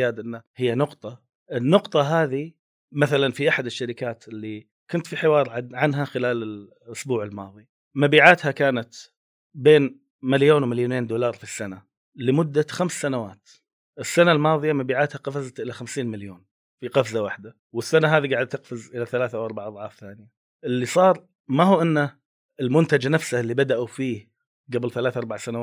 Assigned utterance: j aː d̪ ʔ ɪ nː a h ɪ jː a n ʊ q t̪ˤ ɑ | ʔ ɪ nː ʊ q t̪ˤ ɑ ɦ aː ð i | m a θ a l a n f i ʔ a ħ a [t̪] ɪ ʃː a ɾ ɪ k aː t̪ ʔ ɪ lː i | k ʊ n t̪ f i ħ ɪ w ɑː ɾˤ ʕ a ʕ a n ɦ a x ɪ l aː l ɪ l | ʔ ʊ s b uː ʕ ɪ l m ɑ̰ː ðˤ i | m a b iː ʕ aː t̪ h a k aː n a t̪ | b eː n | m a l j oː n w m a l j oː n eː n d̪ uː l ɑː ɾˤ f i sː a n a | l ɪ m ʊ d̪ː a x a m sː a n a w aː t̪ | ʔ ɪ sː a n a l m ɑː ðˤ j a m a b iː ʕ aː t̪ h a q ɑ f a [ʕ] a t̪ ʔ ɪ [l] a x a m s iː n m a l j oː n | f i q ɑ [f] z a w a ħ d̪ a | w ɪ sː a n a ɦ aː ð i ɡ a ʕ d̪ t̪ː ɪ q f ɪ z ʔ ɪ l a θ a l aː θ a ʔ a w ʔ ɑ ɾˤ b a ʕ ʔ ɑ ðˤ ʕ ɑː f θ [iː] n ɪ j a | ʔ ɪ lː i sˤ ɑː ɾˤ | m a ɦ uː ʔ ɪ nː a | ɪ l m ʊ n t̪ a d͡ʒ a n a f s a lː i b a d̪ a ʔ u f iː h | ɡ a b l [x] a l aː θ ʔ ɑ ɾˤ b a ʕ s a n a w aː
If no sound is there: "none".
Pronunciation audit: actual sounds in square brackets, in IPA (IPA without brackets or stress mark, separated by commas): d̪, z, l, f, aː, θ